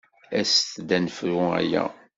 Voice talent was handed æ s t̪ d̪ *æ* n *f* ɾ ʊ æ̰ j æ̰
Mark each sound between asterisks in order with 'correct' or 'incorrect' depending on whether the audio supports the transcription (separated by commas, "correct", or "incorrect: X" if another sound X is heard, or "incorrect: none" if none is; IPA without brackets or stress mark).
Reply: correct, correct